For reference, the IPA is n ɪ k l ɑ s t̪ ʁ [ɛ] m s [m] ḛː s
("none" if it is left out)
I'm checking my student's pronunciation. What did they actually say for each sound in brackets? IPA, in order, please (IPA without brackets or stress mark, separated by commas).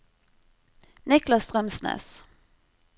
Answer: œ, n